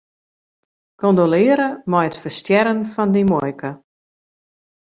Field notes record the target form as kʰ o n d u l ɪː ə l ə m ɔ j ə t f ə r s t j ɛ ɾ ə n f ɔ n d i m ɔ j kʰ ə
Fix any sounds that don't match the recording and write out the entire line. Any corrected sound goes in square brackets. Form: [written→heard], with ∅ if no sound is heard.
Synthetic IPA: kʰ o n d [u→o] l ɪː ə [l→ɾ] ə m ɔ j ə t f ə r s t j ɛ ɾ ə n f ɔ n d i m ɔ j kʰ ə